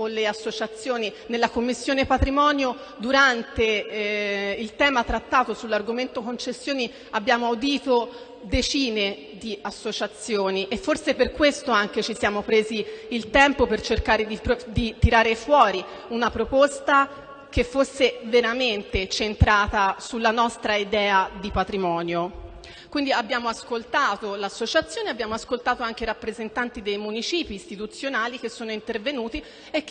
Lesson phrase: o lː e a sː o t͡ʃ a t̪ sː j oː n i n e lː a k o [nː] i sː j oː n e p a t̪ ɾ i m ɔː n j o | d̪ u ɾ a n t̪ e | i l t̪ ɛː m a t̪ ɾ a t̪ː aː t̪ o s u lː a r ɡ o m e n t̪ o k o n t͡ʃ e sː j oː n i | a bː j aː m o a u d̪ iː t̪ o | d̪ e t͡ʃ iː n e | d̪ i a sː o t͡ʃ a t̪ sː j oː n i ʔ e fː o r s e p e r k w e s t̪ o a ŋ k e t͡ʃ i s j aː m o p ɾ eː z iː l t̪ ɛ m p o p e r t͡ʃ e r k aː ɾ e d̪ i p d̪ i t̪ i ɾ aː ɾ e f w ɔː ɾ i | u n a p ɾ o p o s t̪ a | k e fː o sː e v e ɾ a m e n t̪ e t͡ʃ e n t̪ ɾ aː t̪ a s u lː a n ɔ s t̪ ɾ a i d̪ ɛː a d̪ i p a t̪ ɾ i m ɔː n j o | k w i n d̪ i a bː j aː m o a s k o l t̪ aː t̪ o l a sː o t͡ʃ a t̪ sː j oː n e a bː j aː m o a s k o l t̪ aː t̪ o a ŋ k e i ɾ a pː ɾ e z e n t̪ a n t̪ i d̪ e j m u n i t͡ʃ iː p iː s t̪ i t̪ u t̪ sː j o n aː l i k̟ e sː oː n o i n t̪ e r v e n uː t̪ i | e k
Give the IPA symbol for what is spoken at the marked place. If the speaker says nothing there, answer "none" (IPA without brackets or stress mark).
mː